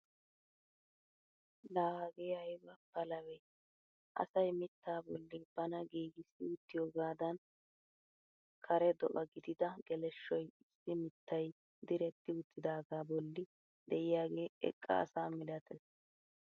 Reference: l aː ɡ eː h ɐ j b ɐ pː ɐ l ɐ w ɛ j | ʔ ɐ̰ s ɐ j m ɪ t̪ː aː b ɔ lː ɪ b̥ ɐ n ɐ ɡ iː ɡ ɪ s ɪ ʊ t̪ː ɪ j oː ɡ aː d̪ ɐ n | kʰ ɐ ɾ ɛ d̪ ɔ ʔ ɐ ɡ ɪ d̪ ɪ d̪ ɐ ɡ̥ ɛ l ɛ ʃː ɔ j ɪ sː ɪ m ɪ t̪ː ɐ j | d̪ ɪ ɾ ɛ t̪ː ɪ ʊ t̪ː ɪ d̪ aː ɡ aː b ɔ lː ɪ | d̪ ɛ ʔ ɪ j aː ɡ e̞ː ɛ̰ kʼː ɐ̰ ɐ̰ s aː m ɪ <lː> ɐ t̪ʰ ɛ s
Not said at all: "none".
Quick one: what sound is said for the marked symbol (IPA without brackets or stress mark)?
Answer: l